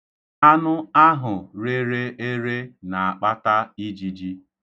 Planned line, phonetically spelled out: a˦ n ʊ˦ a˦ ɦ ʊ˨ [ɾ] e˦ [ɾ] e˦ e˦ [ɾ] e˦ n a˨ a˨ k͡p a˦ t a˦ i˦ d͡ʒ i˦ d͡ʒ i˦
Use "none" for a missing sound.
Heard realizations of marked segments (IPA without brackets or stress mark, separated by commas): ɾ, ɾ, ɾ